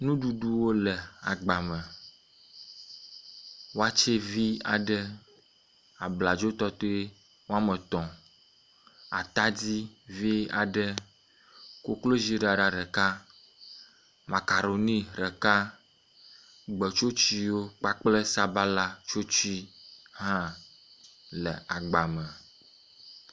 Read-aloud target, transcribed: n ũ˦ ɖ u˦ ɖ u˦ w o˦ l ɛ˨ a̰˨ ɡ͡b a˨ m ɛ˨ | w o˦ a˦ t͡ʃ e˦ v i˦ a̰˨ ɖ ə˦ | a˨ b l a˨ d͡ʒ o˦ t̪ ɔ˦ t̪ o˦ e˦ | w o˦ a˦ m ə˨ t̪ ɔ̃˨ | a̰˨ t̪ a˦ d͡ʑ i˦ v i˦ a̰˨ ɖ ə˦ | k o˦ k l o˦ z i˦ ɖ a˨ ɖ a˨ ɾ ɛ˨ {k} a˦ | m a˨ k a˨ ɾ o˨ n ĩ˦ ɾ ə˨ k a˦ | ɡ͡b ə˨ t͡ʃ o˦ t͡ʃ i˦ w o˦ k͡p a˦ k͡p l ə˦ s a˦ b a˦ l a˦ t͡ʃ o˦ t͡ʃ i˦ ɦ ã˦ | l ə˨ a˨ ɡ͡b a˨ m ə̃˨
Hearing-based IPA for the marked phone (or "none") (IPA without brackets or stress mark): k